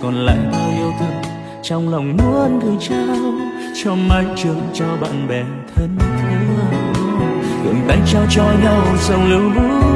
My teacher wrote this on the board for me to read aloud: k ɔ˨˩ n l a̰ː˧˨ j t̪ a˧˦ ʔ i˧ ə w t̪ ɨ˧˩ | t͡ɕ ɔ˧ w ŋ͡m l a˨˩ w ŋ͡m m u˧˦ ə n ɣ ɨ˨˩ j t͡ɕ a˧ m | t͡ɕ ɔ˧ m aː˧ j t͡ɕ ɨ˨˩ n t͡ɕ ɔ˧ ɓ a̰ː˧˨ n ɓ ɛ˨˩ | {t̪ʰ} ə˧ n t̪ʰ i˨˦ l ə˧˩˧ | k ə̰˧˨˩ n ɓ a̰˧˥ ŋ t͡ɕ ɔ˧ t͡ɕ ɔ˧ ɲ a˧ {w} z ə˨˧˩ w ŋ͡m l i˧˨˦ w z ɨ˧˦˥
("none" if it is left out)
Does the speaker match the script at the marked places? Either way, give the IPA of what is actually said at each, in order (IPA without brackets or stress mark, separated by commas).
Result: t̪ʰ, w